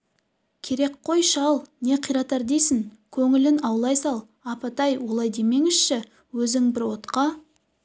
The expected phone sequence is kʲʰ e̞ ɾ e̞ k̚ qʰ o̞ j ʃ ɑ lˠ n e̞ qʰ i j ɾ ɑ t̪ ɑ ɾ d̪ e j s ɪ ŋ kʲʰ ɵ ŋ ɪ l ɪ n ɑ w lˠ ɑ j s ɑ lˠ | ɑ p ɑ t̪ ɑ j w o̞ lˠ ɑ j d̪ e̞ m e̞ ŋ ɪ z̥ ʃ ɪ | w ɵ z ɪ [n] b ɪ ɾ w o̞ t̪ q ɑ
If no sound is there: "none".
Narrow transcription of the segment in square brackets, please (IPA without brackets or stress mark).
ŋ